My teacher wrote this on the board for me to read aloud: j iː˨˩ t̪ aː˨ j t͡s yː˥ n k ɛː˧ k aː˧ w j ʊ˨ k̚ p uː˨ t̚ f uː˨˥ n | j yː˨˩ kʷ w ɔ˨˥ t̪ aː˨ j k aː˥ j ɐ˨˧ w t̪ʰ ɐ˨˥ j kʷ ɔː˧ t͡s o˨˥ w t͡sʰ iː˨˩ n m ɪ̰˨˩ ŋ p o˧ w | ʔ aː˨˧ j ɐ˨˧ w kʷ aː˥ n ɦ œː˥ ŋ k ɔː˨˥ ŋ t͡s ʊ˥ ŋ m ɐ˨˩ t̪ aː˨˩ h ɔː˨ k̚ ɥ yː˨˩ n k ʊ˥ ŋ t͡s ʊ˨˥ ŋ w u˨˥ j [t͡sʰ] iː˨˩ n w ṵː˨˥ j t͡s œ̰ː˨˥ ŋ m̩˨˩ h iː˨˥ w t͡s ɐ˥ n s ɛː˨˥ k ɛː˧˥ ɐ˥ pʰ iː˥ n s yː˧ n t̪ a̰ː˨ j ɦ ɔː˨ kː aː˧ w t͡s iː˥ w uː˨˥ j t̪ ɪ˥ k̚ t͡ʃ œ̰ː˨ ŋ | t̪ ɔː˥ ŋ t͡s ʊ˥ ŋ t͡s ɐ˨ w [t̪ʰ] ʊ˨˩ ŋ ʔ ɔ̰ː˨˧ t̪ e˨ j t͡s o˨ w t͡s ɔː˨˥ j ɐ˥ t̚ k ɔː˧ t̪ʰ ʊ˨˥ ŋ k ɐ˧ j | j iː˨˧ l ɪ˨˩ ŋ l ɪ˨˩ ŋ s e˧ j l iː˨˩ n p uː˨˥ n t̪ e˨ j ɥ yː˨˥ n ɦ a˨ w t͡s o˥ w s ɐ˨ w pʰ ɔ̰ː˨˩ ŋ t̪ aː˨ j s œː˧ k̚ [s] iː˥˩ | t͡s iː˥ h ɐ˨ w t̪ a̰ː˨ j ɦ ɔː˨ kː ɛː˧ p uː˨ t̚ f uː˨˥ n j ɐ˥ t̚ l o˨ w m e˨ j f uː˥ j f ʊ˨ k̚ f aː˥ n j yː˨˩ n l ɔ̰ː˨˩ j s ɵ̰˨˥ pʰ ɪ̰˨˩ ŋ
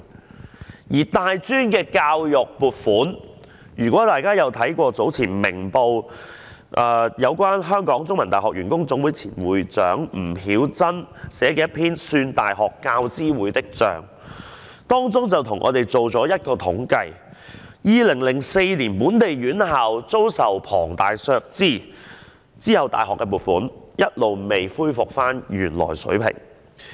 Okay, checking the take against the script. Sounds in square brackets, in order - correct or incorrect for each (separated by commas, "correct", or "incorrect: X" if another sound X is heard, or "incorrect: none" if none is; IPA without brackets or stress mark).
correct, correct, incorrect: t͡s